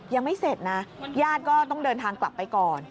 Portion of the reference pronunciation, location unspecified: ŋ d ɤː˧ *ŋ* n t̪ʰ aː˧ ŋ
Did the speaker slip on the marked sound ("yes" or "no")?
yes